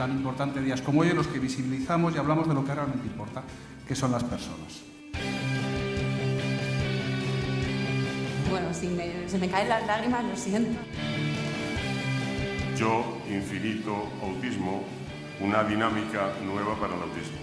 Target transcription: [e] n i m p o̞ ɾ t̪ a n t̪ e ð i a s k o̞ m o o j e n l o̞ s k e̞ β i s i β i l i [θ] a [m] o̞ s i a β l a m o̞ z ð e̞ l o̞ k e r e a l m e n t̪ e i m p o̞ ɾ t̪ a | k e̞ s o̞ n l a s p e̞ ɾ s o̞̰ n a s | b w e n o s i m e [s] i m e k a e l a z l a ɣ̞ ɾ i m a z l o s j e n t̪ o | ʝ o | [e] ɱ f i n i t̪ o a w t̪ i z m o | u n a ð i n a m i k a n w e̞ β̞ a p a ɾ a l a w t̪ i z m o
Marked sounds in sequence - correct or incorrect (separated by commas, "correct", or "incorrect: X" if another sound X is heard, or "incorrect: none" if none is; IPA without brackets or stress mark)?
incorrect: a, correct, correct, correct, incorrect: i